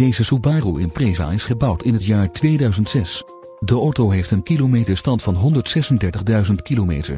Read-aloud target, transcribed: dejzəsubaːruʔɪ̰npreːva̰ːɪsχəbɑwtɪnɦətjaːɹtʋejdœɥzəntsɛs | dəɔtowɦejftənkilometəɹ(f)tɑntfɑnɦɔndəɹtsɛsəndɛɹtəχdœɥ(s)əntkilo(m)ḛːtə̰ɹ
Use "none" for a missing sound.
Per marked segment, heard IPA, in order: s, z, m

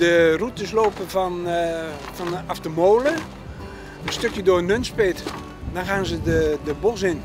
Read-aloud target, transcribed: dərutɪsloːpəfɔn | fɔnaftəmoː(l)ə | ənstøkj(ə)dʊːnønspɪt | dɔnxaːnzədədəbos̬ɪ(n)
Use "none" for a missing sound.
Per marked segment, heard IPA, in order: l, ə, n

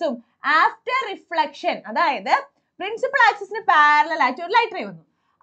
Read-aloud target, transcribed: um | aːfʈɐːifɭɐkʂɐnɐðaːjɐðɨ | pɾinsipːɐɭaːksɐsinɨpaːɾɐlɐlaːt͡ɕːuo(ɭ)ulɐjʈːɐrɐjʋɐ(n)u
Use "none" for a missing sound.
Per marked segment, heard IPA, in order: ɾ, nː

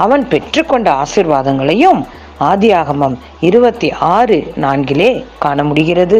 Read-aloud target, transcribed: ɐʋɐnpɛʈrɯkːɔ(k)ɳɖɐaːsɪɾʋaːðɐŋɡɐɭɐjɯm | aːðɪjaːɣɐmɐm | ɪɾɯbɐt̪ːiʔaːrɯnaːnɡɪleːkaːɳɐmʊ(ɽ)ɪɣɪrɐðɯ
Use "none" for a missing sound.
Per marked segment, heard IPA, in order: none, ɽ

